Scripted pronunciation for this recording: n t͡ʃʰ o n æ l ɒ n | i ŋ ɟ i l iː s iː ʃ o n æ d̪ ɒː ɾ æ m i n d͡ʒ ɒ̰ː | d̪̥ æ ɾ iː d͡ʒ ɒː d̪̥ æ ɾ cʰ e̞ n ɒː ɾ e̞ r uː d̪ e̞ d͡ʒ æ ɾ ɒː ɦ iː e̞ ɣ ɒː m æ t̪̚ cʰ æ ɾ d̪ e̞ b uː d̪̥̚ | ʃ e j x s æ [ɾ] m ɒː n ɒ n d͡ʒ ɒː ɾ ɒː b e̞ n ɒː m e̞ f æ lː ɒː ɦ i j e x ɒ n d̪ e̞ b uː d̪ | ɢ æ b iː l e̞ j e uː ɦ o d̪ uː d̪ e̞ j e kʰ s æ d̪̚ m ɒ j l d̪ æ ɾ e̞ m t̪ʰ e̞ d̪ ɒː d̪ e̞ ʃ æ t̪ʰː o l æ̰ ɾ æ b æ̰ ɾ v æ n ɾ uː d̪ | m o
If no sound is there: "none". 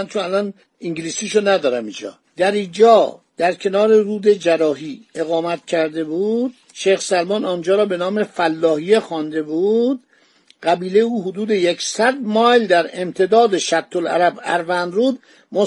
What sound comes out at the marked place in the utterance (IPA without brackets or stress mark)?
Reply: l